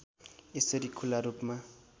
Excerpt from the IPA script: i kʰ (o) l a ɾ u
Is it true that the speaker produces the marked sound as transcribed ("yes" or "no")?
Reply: no